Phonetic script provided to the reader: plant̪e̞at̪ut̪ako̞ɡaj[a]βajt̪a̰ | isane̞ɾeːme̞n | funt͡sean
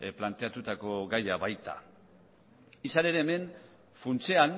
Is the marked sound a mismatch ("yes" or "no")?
no